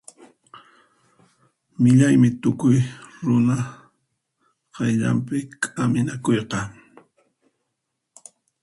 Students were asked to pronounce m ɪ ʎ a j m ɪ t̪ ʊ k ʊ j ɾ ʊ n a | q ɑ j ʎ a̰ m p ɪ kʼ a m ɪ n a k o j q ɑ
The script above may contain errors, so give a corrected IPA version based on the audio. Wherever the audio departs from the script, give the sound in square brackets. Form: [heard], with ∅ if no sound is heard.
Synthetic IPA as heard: m ɪ ʎ a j m ɪ t̪ ʊ k ʊ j ɾ ʊ n a | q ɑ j ʎ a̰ m p ɪ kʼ a m ɪ n a k o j q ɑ